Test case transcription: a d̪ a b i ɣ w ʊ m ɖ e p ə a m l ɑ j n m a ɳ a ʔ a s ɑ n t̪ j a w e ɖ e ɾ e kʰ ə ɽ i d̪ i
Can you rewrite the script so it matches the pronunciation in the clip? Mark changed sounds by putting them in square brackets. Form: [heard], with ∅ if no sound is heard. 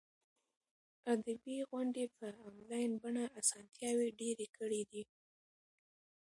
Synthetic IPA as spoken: a d̪ a b i ɣ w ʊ [ɳ] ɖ e p ə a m l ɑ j n [b] a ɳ a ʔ a s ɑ n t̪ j [ɑ] w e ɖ e ɾ e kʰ ə ɽ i d̪ i